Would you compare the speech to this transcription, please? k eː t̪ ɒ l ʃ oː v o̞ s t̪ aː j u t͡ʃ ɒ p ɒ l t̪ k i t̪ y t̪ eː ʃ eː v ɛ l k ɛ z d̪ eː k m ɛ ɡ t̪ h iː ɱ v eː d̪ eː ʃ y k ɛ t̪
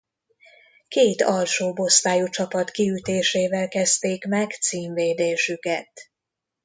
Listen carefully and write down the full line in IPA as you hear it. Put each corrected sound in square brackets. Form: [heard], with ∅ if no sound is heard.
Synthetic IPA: k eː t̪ ɒ l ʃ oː [b] o̞ s t̪ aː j u t͡ʃ ɒ p ɒ [∅] t̪ k i [∅] y t̪ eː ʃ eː v ɛ l k ɛ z [t̪] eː k m ɛ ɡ t̪ [s] iː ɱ v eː d̪ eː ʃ y k ɛ t̪